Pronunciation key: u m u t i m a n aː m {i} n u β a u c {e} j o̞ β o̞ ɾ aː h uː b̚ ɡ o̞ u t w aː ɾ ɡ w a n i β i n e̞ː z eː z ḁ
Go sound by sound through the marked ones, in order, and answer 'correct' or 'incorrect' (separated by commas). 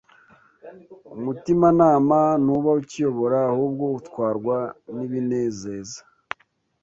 incorrect, incorrect